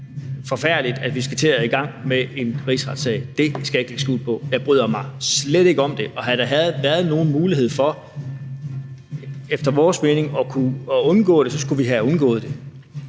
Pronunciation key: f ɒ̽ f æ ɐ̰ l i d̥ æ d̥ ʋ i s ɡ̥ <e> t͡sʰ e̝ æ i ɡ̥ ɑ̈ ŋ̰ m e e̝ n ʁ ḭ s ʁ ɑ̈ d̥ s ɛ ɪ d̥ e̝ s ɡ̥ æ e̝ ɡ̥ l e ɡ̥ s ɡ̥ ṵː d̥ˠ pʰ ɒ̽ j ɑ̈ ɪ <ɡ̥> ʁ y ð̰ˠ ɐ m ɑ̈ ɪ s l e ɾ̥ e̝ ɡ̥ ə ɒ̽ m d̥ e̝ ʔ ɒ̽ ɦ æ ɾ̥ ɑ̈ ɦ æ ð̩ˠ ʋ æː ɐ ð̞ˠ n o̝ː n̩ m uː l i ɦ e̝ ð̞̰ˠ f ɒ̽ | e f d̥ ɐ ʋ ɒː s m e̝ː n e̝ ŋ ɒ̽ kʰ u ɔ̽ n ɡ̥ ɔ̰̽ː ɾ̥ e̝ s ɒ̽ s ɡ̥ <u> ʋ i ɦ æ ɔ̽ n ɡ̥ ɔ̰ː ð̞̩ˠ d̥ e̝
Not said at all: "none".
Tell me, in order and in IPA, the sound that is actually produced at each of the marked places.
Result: æ, b̥, u

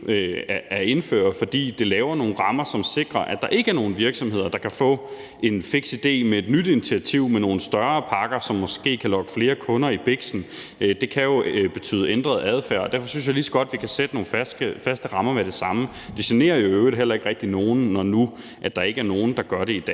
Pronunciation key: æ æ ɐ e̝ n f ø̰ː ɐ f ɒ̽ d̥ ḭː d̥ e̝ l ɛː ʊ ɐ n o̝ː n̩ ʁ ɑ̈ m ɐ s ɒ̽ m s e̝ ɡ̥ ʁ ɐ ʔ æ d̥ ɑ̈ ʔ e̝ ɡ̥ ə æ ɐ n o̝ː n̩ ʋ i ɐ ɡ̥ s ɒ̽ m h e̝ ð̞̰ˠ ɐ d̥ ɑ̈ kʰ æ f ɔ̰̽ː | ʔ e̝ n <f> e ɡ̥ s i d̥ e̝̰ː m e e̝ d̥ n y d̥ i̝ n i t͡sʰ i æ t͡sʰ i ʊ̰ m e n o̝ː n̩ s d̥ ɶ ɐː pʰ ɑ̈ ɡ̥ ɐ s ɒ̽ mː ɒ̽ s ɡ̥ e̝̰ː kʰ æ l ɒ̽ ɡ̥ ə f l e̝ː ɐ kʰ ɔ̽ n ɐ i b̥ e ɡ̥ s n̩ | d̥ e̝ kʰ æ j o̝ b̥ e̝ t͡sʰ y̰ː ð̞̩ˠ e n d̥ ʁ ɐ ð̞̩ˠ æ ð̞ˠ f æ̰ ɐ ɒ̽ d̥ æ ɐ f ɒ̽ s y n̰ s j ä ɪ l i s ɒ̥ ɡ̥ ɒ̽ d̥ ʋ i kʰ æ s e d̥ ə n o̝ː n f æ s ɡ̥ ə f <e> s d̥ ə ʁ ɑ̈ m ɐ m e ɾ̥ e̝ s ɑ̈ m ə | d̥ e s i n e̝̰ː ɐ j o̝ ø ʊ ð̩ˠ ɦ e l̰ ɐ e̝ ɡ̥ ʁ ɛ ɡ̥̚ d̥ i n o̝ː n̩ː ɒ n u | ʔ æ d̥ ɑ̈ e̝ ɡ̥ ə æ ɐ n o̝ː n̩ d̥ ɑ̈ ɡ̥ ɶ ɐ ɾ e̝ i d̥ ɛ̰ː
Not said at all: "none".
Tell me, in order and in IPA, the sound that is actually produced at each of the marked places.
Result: f, æ

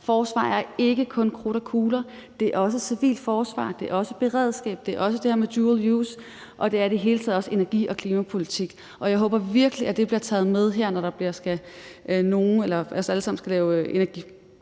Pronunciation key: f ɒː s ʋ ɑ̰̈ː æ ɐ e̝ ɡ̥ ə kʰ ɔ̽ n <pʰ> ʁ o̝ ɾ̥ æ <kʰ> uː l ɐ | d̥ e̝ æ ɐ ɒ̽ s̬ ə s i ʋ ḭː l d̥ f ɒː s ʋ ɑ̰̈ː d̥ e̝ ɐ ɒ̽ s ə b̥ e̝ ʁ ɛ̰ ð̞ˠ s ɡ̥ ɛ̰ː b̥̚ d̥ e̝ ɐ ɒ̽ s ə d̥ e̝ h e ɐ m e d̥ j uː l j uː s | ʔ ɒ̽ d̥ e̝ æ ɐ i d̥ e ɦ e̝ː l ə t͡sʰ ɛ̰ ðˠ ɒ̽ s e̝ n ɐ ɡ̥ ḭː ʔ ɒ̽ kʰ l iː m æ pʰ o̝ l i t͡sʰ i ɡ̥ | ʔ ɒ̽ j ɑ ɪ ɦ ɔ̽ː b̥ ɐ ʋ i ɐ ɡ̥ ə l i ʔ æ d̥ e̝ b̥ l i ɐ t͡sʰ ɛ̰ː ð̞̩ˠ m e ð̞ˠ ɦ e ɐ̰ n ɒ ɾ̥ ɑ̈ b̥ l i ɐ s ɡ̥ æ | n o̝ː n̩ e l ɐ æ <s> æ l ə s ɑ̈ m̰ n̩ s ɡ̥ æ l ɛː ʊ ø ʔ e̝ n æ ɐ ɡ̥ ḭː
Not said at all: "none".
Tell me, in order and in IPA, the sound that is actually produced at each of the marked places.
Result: kʰ, kʰ, s

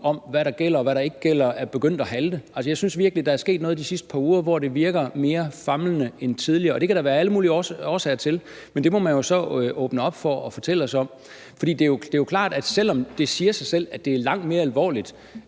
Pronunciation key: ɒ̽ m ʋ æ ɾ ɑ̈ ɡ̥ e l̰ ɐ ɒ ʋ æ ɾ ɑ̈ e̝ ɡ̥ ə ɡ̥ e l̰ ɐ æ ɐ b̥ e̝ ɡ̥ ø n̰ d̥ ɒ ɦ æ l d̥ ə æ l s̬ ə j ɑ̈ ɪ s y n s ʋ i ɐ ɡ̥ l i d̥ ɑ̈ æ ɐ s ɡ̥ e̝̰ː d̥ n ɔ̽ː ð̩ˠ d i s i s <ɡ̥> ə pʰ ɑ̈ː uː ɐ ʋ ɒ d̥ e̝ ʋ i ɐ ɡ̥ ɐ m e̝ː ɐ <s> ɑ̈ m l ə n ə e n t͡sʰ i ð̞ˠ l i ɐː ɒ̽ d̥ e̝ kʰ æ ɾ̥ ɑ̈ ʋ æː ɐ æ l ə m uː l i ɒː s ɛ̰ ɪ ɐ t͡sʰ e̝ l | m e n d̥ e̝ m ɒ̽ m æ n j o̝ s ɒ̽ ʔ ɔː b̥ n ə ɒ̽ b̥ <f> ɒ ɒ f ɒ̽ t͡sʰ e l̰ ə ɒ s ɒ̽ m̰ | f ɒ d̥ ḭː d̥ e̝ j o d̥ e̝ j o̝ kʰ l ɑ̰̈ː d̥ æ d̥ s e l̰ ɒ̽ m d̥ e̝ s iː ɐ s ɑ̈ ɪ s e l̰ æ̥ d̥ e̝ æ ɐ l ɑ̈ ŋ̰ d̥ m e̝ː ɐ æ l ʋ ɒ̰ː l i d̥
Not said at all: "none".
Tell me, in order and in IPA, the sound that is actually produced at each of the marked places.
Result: d̥, f, f

